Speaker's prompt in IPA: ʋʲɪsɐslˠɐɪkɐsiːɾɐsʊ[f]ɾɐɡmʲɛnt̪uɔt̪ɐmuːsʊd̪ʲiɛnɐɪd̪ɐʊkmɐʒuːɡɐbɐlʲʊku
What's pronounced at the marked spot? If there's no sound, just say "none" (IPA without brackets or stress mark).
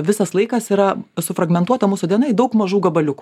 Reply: f